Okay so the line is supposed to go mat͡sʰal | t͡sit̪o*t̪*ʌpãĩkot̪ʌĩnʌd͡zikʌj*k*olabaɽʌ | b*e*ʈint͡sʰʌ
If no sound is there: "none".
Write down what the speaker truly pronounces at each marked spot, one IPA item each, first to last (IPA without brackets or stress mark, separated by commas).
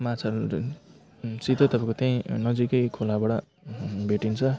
t̪, kʰ, e